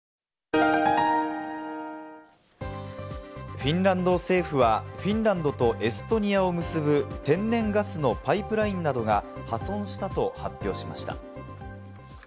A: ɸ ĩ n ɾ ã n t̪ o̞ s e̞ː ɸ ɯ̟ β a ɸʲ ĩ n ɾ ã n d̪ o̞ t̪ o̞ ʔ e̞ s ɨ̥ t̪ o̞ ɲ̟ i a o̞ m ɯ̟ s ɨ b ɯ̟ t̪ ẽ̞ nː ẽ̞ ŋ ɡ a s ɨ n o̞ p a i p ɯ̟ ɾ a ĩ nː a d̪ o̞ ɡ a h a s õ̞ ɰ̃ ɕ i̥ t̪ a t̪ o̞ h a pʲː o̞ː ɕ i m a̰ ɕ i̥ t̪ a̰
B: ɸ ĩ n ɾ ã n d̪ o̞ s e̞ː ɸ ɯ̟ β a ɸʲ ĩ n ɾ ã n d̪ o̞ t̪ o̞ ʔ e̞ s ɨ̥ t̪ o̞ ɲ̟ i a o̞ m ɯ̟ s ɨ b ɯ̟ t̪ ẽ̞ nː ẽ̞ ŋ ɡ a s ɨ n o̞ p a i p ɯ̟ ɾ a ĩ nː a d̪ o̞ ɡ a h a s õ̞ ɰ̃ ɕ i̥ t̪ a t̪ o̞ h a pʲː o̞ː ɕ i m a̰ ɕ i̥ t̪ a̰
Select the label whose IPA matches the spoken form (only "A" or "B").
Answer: B